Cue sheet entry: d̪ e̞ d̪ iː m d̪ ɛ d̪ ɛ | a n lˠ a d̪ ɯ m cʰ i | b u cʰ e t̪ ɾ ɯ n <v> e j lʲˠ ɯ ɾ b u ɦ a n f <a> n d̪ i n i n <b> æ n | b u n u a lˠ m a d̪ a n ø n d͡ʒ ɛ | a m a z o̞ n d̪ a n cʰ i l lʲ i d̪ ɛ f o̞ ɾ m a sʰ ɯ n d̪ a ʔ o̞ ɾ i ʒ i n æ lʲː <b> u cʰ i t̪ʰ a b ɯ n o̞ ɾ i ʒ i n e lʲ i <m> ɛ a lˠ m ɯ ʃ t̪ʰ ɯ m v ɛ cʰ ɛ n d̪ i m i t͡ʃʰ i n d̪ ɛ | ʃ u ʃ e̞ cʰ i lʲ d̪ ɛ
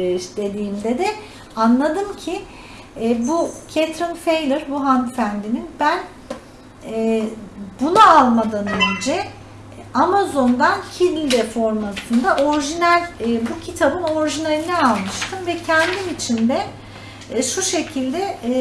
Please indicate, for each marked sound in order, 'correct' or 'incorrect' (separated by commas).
incorrect, incorrect, correct, correct, incorrect